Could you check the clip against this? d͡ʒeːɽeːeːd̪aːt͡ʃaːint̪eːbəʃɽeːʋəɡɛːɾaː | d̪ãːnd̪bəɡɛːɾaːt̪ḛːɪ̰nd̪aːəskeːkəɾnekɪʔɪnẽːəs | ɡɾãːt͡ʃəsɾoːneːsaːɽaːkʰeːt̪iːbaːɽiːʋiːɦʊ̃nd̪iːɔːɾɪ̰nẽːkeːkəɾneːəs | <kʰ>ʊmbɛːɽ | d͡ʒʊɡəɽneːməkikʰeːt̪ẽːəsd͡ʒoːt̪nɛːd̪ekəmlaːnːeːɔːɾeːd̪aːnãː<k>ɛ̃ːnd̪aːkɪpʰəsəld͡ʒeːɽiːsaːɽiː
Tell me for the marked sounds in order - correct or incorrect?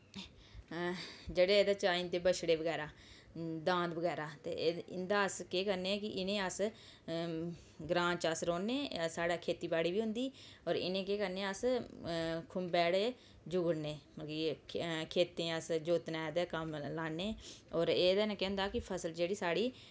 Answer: correct, correct

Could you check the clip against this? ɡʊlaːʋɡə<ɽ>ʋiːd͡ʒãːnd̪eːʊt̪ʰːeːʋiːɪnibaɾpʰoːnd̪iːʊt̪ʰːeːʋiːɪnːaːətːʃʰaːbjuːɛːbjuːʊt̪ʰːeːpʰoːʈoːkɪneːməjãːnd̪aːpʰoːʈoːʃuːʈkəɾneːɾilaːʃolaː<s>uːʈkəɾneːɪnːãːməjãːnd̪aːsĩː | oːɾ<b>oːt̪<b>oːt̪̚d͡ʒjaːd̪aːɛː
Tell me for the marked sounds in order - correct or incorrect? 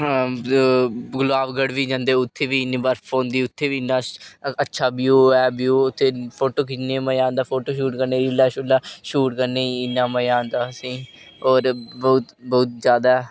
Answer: correct, incorrect, correct, correct

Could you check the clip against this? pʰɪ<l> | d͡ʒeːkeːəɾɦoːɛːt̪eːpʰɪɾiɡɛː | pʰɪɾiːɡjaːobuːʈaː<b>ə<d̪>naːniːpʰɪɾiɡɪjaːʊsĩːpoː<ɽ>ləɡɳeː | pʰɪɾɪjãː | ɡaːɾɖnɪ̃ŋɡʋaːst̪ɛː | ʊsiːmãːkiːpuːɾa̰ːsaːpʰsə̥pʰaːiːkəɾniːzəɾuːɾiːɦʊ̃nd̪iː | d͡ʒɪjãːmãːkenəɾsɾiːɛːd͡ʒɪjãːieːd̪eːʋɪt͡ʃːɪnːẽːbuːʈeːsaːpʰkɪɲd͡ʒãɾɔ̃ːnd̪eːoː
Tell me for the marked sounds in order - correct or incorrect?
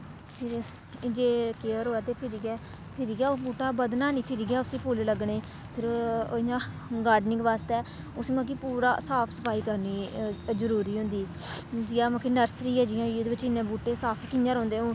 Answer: incorrect, correct, correct, incorrect

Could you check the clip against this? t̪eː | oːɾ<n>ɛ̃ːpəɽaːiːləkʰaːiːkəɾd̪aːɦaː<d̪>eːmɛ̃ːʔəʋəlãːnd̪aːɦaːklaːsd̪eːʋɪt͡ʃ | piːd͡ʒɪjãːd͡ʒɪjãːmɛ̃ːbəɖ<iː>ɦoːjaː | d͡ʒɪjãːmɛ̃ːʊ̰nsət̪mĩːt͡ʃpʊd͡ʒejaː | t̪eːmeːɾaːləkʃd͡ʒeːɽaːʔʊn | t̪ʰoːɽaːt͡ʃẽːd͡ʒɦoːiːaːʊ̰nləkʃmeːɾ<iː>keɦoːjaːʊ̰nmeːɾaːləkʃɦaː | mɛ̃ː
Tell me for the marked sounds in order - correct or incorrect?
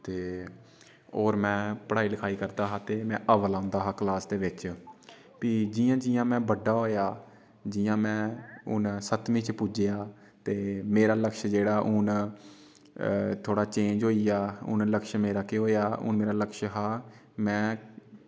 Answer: incorrect, incorrect, incorrect, incorrect

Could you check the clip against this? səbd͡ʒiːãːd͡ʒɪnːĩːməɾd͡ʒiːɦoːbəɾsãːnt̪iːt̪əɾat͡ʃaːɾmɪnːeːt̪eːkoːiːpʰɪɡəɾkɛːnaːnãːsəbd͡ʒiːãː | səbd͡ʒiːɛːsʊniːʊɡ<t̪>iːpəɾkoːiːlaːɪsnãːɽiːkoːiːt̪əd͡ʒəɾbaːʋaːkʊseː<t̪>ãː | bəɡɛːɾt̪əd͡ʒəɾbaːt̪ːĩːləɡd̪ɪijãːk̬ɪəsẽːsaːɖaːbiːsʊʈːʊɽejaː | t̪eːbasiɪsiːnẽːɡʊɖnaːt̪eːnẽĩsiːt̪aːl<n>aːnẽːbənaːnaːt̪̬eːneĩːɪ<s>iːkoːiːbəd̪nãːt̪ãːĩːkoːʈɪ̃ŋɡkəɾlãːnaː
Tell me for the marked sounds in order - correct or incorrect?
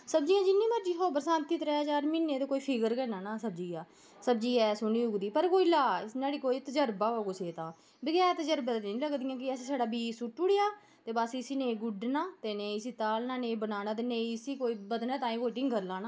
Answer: incorrect, correct, correct, correct

